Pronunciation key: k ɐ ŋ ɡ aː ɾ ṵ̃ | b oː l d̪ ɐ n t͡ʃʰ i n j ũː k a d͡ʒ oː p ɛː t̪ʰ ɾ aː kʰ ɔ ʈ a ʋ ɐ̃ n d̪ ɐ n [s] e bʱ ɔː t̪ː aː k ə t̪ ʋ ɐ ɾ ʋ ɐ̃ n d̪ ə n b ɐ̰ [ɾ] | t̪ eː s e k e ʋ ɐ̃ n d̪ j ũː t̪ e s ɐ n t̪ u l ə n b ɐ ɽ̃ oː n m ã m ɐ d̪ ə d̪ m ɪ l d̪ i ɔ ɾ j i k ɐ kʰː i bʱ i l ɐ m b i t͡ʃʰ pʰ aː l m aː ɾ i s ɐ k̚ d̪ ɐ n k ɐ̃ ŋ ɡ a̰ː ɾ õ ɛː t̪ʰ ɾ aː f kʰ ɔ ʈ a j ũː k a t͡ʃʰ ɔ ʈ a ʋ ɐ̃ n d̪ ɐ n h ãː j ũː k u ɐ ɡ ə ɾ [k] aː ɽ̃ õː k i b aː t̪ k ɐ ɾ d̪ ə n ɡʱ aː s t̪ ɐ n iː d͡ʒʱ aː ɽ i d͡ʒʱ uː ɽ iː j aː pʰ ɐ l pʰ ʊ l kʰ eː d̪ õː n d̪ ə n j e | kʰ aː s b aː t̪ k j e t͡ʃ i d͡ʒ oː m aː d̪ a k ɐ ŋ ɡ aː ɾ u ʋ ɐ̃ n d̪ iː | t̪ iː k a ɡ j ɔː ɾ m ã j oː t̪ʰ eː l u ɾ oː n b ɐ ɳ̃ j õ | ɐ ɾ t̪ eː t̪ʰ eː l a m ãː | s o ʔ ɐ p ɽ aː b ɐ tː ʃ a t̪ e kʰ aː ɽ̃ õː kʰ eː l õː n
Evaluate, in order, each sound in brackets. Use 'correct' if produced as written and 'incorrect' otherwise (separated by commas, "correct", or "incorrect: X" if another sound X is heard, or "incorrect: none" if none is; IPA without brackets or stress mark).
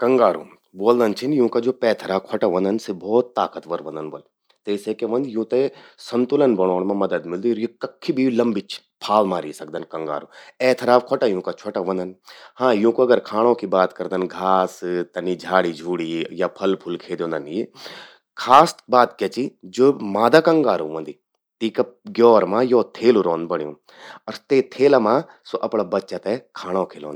correct, incorrect: l, incorrect: kʰ